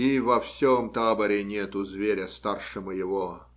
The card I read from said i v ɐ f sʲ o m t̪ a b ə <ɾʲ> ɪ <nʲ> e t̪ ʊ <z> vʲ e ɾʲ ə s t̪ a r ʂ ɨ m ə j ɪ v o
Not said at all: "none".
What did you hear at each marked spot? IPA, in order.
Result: ɾʲ, nʲ, z

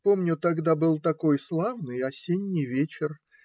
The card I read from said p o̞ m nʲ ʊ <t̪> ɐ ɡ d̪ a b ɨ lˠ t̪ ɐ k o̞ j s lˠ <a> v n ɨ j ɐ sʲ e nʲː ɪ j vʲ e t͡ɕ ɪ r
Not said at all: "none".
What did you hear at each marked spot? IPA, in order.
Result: t̪, a

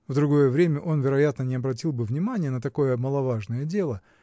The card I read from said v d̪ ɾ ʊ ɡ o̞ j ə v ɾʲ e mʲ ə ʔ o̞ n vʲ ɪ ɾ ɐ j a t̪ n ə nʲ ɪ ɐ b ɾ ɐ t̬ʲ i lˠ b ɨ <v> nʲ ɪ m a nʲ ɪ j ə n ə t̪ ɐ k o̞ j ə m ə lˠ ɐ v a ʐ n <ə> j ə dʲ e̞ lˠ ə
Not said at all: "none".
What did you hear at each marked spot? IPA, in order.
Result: v, ə

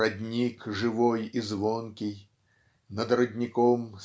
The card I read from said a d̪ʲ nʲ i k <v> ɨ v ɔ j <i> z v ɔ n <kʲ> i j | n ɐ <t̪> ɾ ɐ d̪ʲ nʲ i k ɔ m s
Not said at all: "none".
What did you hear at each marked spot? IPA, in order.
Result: ʐ, i, kʲ, d̪

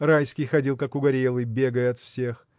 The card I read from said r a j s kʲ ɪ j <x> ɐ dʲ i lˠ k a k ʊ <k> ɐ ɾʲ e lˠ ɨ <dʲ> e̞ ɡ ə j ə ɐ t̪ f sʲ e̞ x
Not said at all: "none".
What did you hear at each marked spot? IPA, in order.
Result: x, ɡ, bʲ

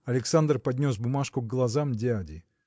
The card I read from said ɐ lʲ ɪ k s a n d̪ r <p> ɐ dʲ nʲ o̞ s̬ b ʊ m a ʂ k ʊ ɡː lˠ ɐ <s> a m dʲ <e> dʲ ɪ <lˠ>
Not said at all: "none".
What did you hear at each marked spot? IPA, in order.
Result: p, z, a, none

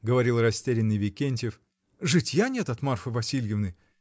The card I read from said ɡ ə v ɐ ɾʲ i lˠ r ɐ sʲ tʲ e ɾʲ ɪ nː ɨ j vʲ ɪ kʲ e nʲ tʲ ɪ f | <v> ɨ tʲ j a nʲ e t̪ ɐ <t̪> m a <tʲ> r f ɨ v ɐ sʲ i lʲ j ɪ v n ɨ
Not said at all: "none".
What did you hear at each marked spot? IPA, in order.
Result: ʐ, t̪, none

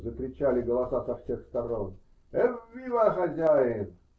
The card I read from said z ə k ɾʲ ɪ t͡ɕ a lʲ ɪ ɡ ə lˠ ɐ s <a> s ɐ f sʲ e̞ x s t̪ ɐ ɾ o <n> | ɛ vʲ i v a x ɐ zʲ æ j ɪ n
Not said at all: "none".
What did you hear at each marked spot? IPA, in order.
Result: a, n

